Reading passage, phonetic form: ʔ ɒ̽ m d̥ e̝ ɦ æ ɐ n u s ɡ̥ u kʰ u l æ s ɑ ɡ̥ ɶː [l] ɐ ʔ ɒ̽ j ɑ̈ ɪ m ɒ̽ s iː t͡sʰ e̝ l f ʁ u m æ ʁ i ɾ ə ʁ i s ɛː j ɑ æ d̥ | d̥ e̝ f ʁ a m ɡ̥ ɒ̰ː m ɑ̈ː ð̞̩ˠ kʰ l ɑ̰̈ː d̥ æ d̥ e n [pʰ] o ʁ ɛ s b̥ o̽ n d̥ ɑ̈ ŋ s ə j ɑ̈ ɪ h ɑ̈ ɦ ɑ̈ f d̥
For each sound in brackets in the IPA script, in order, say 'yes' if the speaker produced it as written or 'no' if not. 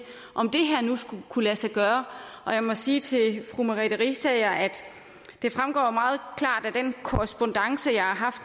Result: no, no

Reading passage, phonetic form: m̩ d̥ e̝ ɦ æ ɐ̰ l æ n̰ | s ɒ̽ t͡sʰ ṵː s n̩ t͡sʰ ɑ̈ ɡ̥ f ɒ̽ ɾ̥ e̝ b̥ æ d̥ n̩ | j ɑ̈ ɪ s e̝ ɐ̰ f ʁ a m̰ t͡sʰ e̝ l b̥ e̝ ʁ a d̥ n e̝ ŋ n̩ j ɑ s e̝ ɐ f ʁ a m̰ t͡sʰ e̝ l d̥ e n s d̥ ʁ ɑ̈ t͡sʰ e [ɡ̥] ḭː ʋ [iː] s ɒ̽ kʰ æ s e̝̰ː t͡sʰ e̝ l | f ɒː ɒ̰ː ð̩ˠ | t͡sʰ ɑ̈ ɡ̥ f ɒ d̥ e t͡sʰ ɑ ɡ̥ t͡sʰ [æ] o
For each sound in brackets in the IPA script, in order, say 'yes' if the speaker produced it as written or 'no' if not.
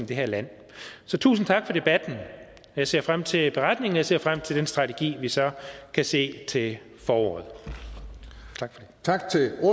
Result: yes, no, no

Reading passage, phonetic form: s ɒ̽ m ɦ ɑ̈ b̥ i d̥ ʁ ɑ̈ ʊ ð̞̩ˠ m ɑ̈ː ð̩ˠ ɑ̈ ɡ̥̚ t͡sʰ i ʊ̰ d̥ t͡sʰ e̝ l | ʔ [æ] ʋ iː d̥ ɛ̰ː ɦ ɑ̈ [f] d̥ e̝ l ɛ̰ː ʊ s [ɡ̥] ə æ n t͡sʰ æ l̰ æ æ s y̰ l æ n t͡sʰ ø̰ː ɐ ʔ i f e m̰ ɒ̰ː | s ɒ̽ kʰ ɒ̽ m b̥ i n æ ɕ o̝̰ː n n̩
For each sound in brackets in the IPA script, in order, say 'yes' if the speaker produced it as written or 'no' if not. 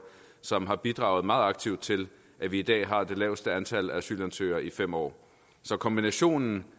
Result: yes, no, no

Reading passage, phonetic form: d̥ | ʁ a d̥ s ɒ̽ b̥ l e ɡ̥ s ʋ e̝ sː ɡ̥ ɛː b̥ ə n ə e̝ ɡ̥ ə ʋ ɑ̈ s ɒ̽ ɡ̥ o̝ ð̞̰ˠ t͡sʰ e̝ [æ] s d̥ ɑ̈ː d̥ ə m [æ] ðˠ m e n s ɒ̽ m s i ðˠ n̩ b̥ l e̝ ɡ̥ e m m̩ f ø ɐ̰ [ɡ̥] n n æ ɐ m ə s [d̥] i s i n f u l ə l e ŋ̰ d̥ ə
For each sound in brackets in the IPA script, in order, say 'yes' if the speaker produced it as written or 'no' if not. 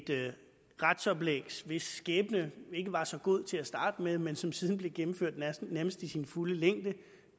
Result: yes, no, no, yes

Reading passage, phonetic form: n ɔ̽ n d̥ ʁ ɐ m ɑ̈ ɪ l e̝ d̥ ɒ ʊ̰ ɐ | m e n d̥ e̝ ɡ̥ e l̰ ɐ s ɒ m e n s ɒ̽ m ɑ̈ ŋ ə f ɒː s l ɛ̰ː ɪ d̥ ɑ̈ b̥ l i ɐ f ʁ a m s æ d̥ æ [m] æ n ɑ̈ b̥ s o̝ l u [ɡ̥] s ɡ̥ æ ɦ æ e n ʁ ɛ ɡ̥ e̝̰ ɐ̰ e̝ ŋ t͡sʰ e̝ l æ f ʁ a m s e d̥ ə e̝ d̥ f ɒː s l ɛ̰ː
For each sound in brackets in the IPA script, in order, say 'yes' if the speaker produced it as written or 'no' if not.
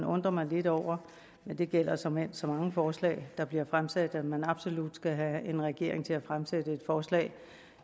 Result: yes, no

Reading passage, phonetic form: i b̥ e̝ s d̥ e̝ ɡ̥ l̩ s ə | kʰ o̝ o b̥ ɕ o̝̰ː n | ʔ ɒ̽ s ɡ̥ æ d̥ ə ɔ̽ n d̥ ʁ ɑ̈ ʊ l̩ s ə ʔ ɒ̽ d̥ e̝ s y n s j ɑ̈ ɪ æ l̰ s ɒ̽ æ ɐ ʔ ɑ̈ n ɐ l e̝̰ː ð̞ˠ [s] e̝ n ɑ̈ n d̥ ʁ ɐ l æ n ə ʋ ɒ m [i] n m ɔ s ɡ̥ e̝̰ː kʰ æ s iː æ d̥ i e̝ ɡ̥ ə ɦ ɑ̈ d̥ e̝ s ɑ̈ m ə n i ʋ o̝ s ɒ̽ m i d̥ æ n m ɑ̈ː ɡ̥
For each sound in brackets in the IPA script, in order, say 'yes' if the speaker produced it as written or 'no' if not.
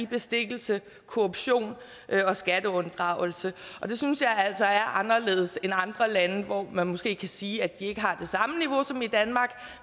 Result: yes, no

